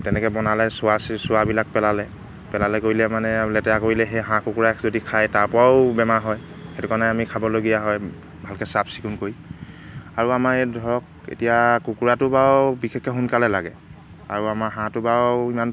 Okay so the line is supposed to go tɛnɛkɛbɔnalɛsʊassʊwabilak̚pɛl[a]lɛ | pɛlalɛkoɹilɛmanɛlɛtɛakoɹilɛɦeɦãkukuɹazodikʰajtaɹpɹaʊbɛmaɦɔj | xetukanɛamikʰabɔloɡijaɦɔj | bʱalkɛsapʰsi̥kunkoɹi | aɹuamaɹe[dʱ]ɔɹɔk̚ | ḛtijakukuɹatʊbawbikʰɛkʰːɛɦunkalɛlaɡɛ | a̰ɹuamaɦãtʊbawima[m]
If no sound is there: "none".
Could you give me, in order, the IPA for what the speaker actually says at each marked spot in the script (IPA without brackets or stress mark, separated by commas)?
a, dʱ, n